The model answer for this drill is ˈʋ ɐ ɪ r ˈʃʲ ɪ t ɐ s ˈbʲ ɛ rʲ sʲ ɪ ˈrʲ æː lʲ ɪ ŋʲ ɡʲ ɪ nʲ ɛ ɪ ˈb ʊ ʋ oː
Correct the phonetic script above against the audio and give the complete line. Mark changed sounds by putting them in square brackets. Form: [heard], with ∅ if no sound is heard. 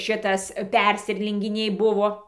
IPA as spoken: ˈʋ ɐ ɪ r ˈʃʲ ɪ t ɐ s [ˈpʲ] ɛ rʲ sʲ ɪ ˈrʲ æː lʲ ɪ ŋʲ ɡʲ ɪ nʲ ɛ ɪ ˈb ʊ ʋ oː